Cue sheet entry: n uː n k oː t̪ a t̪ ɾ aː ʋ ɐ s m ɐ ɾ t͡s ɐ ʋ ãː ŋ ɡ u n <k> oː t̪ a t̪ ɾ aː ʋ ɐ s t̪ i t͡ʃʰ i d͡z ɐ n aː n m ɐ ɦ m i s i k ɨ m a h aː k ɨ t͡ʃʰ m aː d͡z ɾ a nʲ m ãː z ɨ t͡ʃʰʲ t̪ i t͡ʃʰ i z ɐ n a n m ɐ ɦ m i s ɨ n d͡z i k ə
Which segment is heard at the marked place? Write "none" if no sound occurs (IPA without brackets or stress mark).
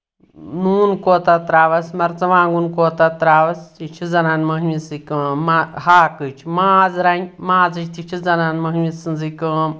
k